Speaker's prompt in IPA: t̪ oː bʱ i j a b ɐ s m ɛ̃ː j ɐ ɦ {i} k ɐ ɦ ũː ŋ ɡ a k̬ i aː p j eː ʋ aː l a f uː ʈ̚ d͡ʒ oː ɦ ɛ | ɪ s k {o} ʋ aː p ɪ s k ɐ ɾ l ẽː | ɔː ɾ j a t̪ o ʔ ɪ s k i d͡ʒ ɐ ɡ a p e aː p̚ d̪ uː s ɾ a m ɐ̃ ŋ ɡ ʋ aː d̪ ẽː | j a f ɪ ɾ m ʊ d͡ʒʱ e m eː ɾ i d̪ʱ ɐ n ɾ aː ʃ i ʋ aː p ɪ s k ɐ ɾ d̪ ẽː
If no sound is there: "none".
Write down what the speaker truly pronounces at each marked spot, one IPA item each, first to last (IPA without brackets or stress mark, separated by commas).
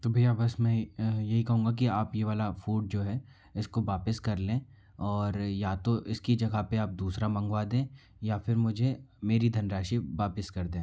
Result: i, o